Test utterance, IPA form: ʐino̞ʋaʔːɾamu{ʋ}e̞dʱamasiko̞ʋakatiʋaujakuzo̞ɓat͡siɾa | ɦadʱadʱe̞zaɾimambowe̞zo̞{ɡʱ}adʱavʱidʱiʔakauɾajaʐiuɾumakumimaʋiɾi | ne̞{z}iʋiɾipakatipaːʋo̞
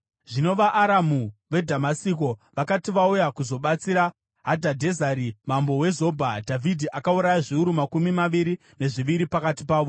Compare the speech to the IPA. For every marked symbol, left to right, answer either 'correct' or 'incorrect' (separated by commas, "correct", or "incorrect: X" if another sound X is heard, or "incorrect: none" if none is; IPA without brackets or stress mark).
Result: correct, incorrect: bʱ, incorrect: ʐ